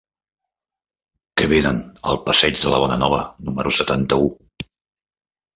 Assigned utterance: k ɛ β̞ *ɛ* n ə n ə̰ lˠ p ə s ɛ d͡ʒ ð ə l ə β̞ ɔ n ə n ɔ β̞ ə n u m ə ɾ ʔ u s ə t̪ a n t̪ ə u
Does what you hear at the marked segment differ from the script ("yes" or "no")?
yes